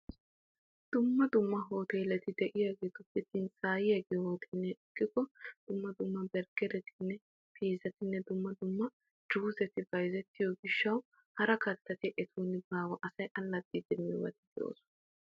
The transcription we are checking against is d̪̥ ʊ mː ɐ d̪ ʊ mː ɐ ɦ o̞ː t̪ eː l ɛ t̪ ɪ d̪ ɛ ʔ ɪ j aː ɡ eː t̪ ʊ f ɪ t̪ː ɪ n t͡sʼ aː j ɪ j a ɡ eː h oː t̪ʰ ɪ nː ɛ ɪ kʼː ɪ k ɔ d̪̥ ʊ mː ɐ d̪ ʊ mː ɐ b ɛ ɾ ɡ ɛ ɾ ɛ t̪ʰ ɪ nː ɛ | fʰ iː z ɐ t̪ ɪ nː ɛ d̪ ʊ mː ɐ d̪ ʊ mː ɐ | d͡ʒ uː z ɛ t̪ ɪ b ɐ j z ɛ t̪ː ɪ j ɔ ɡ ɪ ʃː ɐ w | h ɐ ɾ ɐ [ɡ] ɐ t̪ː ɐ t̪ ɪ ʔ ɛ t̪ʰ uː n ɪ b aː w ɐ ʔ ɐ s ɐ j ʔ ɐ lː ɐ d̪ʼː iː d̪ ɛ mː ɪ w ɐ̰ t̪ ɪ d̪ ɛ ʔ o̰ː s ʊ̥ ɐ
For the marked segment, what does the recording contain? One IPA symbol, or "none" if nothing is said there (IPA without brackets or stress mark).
k